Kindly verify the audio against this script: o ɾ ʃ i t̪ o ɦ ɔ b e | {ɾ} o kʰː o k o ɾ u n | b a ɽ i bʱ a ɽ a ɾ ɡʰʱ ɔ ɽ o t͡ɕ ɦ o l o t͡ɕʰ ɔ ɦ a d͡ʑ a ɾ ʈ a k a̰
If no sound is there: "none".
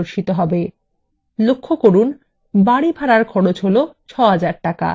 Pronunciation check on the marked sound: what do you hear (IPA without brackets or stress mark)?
l